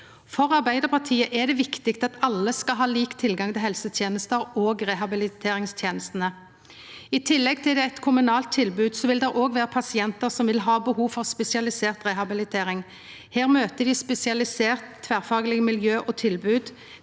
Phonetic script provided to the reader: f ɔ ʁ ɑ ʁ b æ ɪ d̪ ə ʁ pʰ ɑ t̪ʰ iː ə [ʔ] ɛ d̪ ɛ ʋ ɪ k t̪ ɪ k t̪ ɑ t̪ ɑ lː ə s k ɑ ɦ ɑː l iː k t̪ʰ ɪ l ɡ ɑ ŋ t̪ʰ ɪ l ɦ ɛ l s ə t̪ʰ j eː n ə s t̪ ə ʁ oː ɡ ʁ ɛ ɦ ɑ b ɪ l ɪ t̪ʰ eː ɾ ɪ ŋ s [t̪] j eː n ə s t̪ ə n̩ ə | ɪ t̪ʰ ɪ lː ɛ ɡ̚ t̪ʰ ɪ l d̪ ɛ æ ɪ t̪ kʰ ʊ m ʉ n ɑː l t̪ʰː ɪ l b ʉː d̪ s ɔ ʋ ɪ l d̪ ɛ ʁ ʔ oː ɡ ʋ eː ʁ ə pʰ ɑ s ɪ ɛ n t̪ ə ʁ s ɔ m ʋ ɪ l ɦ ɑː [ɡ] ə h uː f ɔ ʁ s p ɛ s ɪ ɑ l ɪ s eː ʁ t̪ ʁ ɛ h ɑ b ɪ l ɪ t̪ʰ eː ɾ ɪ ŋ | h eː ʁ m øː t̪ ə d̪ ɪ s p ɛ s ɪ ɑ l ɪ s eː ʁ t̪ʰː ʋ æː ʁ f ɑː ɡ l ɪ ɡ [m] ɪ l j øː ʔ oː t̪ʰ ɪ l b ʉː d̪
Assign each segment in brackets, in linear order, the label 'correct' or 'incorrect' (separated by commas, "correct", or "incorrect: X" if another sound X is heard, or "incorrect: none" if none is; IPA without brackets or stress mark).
correct, incorrect: t̪ʰ, incorrect: b, correct